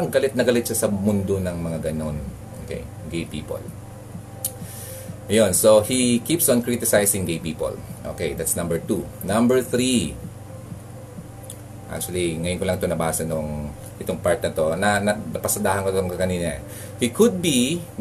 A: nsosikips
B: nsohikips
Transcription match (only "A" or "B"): B